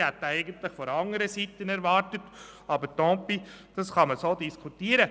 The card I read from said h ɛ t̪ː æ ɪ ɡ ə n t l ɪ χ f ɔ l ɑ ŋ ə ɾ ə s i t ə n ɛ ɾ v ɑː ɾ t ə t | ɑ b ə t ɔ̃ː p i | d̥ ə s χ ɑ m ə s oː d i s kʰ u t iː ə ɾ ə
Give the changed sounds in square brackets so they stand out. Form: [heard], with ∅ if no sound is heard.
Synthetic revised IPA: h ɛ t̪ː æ ɪ ɡ ə n t l ɪ χ f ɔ [ɾ] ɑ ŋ ə ɾ ə s i t ə n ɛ ɾ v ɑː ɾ t ə t | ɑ b ə t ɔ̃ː p i | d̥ [ɑ] s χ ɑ m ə s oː d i s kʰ u t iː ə ɾ ə